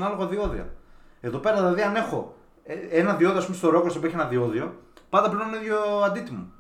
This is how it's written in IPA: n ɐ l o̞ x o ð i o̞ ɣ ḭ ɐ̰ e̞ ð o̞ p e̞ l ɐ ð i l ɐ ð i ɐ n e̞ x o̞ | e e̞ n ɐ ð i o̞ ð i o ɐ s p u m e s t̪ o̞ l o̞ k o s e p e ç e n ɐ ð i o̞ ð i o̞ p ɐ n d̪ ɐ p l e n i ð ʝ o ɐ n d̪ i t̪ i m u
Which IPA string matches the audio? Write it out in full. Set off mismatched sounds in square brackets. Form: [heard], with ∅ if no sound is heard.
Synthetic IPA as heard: n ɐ l o̞ [ɣ] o ð i o̞ [ð] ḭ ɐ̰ e̞ ð o̞ p e̞ [ɾ] ɐ ð i l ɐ ð i ɐ n e̞ x o̞ | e e̞ n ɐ ð i o̞ ð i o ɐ s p u m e s t̪ o̞ [ɾ] o̞ k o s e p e ç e n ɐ ð i o̞ ð i o̞ p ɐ n d̪ ɐ p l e n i ð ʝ o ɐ n d̪ i t̪ i m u